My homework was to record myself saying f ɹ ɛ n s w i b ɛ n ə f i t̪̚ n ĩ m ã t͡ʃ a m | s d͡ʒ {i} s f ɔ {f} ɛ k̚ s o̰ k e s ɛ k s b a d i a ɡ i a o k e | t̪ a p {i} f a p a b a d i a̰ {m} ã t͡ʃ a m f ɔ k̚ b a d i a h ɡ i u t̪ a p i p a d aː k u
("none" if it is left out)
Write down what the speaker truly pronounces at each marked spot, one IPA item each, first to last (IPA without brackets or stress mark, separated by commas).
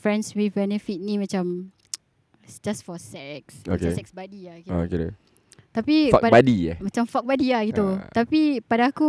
a, s, i, m